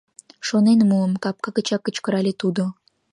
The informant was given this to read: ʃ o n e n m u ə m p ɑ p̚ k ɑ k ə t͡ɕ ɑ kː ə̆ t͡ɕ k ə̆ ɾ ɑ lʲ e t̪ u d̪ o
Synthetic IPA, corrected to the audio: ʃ o n e n m u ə m k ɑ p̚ k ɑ k ə t͡ɕ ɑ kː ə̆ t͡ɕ k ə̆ ɾ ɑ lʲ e t̪ u d̪ o